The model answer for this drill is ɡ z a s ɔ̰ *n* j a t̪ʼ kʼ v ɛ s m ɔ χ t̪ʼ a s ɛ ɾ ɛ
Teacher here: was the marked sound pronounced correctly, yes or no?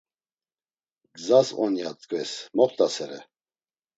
yes